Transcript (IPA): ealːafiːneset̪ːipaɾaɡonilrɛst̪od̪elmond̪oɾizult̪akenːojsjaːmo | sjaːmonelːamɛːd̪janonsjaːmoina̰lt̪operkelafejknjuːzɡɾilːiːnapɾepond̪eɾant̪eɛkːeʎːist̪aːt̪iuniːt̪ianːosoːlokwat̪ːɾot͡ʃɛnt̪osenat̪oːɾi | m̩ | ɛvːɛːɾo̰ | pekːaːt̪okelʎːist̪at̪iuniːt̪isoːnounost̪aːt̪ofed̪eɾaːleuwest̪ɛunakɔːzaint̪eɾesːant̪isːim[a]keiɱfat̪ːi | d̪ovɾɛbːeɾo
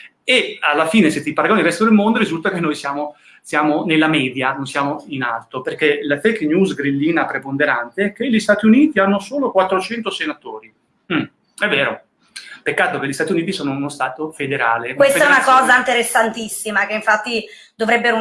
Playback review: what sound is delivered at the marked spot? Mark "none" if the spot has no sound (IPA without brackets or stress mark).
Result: a